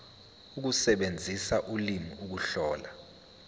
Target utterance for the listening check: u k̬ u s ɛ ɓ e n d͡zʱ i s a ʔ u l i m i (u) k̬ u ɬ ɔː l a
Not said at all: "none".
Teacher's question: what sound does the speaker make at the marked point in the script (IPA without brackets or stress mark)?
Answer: u